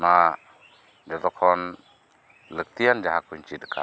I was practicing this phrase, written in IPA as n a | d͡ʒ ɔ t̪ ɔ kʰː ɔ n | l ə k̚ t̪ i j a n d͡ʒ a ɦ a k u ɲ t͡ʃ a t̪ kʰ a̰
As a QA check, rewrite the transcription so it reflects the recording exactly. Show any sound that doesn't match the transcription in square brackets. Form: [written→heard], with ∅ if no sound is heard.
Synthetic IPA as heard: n a | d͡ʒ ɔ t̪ ɔ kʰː ɔ n | l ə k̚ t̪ i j a n d͡ʒ a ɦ a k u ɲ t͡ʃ [a→i] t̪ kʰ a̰